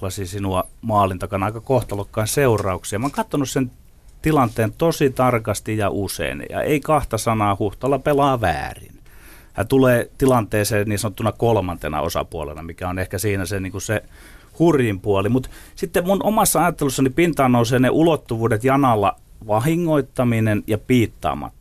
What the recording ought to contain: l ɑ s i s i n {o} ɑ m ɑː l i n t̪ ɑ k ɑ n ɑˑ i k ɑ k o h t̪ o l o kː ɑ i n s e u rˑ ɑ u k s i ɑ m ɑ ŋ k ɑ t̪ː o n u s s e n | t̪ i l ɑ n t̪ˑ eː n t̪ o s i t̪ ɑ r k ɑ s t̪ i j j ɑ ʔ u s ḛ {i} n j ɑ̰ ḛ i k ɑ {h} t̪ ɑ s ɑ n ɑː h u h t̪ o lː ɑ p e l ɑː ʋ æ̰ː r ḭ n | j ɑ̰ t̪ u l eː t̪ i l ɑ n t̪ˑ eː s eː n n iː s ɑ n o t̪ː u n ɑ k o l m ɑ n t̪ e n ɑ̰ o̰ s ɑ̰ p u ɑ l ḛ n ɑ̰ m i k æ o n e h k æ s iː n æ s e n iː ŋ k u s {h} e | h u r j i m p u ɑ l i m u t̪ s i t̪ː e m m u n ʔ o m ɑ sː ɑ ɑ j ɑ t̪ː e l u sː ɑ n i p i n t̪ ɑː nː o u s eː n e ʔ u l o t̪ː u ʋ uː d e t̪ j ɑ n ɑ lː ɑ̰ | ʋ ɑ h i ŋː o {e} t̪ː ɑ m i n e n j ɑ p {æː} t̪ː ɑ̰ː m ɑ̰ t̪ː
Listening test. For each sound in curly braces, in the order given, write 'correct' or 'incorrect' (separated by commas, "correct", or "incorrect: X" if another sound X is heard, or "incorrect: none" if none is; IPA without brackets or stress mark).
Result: incorrect: u, correct, correct, incorrect: s, incorrect: i, incorrect: iː